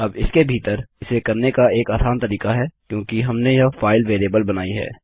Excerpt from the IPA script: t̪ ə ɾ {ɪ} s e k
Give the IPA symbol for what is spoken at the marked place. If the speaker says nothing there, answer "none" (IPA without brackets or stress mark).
ɪ